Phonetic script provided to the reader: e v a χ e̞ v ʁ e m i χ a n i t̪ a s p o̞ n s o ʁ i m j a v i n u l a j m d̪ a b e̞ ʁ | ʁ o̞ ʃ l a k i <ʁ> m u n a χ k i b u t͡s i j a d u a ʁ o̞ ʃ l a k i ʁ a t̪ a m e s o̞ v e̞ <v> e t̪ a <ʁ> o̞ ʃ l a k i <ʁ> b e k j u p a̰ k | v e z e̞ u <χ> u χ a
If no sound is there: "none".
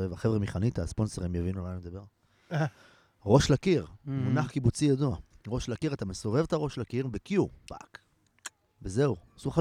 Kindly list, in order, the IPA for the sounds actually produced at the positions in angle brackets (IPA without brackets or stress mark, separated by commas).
ʁ, v, ʁ, ʁ, s